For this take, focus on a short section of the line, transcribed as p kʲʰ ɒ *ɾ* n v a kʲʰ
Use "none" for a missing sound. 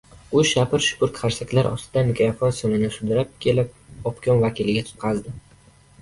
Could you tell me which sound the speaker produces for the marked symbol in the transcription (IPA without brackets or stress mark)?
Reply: none